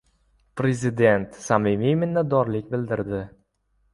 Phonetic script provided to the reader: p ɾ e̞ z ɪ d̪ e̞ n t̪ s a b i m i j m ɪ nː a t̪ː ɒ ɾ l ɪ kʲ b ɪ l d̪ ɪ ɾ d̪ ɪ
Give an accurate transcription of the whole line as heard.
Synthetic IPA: p ɾ e̞ z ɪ d̪ e̞ n t̪ s a m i m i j m ɪ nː a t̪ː ɒ ɾ l ɪ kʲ b ɪ l d̪ ɪ ɾ d̪ ɪ